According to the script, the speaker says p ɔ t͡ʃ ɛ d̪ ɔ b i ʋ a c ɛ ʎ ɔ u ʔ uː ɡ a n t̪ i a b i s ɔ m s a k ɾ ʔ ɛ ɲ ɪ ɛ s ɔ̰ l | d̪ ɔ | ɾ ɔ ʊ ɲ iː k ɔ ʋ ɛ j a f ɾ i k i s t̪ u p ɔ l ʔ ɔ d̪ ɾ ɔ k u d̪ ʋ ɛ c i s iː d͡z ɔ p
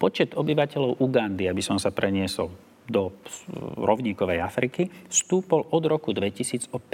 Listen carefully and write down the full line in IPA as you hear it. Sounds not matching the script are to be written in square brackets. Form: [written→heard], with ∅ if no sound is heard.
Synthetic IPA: p ɔ t͡ʃ ɛ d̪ ɔ b i ʋ a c ɛ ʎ ɔ [u→ʊ] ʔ [uː→u] ɡ a n [t̪→d̪] i a b i s ɔ m s a [k→p] ɾ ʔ ɛ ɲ ɪ ɛ s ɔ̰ l | d̪ ɔ | ɾ ɔ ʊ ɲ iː k ɔ ʋ ɛ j a f ɾ i k i s t̪ [u→uː] p ɔ l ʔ ɔ d̪ ɾ ɔ k u d̪ ʋ ɛ c i s iː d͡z ɔ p